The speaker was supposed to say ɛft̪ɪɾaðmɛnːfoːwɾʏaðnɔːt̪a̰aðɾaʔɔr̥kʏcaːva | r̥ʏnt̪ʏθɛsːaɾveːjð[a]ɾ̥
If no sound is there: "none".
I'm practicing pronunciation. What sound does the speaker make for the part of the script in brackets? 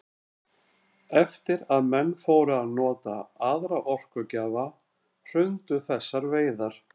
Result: a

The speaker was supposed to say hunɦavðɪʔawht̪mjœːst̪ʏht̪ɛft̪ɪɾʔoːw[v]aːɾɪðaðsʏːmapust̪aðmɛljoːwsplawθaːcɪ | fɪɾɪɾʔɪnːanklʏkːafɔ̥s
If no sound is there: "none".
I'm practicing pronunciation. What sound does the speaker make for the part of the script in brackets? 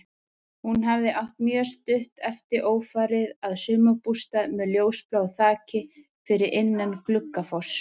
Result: f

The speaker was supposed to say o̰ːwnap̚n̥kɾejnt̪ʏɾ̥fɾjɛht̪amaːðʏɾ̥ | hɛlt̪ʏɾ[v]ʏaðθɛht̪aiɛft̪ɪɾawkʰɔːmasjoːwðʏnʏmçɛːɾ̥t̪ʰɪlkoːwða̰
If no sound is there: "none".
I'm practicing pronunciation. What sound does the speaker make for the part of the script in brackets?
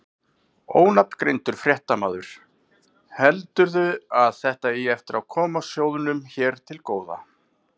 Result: ð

